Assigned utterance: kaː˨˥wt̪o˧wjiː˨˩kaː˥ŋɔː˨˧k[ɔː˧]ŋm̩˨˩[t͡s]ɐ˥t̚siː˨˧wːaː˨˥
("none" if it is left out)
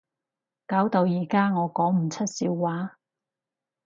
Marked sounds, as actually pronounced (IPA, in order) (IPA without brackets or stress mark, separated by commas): ɔː˨˥, t͡sʰ